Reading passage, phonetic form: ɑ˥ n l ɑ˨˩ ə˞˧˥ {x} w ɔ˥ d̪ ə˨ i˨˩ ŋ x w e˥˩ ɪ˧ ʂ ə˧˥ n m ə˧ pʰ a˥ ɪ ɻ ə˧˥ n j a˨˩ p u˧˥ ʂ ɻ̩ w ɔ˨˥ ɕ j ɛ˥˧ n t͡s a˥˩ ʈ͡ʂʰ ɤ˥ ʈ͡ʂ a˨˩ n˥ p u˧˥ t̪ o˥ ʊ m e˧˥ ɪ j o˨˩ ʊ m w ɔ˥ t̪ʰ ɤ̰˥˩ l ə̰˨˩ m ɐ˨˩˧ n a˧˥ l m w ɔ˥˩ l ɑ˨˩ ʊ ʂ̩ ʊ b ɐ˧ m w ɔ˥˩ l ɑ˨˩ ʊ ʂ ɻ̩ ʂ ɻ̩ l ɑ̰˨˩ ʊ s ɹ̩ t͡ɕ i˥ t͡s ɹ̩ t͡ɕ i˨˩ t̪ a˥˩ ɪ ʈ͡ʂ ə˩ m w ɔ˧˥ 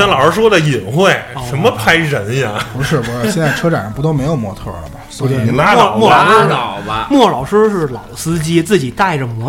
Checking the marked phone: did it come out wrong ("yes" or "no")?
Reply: yes